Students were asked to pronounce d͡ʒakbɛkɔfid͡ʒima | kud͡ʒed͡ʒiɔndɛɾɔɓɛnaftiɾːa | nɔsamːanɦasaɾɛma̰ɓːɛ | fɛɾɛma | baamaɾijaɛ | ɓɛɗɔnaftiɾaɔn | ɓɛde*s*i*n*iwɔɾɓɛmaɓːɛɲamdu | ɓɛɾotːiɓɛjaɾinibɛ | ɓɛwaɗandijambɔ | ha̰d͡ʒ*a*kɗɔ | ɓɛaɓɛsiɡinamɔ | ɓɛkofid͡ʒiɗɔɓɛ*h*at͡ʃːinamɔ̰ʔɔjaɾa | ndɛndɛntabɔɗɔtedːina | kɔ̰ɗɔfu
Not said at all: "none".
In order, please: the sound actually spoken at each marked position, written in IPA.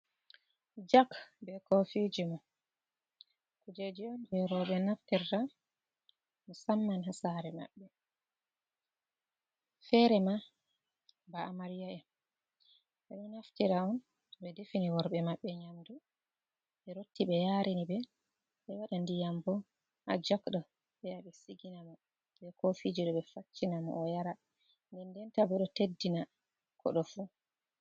f, n, a, f

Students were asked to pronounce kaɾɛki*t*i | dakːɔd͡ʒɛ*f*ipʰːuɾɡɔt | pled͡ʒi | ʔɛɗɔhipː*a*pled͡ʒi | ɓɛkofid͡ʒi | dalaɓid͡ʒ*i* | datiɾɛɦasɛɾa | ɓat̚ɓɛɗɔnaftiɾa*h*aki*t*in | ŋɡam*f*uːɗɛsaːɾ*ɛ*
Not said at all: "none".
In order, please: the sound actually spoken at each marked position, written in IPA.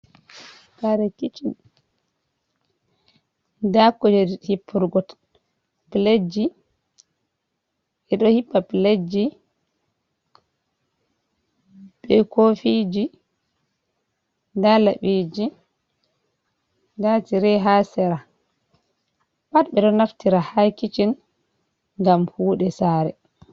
t͡ʃ, h, a, i, h, t͡ʃ, h, ɛ

